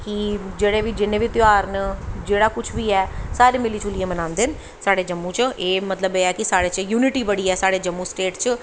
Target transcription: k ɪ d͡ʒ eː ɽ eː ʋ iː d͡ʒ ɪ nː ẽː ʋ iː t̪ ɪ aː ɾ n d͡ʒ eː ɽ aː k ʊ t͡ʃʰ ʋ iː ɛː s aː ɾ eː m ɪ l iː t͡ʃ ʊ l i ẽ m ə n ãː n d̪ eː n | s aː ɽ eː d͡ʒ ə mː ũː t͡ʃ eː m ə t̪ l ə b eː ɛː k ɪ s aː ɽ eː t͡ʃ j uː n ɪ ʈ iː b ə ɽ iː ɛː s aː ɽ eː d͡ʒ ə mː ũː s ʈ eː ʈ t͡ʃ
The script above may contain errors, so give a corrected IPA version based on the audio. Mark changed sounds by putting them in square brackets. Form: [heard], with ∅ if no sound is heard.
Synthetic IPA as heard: k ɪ d͡ʒ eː ɽ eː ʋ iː d͡ʒ ɪ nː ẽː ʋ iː t̪ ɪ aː ɾ n d͡ʒ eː ɽ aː k ʊ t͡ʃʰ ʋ iː ɛː s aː ɾ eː m ɪ l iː t͡ʃ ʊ l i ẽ m ə n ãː n d̪ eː n | s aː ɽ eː d͡ʒ ə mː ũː t͡ʃ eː m ə t̪ l ə b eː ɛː k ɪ s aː ɽ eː t͡ʃ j uː n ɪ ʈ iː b ə ɽ iː ɛː s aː ɽ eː d͡ʒ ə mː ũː s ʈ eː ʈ t͡ʃ

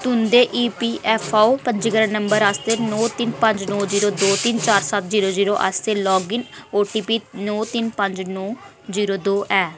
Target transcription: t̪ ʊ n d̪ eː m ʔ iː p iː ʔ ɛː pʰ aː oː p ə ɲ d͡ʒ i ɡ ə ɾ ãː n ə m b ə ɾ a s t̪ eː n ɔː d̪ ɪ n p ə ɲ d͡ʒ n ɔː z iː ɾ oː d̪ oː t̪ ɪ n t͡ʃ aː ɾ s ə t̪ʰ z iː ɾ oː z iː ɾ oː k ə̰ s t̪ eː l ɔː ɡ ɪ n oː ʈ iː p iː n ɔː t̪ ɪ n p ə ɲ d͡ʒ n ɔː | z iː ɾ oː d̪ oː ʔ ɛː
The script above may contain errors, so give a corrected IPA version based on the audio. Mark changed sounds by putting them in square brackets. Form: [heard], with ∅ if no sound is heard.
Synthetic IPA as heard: t̪ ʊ n d̪ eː [∅] ʔ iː p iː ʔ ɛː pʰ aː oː p ə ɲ d͡ʒ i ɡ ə ɾ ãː n ə m b ə ɾ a s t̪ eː n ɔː [t̪] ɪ n p ə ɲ d͡ʒ n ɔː z iː ɾ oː d̪ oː t̪ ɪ n t͡ʃ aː ɾ s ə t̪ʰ z iː ɾ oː z iː ɾ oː [ʔ] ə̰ s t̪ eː l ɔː ɡ ɪ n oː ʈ iː p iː n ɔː t̪ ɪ n p ə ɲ d͡ʒ n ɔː | z iː ɾ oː d̪ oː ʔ ɛː

